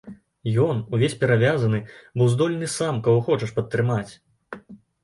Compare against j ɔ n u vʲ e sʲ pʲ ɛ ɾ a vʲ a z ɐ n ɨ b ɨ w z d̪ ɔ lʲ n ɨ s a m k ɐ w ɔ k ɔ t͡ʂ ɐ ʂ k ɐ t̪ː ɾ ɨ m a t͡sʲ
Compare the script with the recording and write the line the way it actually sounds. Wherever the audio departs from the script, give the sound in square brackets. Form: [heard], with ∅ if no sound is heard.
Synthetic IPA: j ɔ n u vʲ e sʲ pʲ ɛ ɾ a vʲ a z ɐ n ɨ b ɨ w z d̪ ɔ lʲ n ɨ s a m k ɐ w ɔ [x] ɔ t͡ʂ ɐ ʂ [p] ɐ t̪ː ɾ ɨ m a t͡sʲ